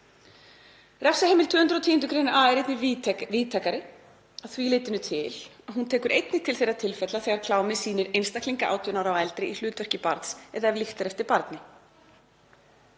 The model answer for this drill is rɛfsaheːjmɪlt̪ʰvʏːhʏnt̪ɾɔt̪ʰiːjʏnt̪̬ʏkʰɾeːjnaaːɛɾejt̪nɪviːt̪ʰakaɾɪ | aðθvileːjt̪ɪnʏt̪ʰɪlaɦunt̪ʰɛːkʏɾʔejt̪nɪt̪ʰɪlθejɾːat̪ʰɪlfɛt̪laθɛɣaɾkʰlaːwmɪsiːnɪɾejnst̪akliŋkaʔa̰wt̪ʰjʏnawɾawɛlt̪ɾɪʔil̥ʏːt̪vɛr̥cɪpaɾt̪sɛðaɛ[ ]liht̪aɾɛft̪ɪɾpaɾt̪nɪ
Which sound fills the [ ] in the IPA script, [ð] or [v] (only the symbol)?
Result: v